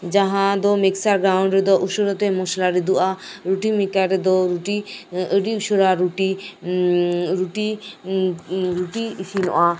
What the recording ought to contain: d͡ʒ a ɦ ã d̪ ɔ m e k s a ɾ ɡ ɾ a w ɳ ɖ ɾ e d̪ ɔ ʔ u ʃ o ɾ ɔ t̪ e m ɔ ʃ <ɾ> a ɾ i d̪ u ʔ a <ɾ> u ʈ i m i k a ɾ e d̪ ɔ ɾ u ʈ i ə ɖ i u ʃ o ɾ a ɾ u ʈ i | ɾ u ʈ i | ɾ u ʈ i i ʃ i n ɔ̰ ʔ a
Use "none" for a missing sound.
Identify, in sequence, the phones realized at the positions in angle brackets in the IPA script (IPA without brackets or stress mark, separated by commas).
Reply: l, ɾ